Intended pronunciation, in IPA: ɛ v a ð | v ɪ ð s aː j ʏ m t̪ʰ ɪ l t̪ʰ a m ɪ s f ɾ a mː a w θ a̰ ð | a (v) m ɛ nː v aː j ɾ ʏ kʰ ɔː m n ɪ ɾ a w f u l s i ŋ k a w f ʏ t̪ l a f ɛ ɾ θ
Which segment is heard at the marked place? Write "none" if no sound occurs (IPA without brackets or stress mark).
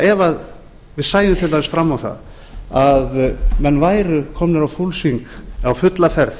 ð